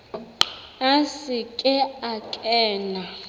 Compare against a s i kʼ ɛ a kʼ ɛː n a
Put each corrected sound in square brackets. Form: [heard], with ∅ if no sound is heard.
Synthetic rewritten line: a s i kʼ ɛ a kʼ ɛː n a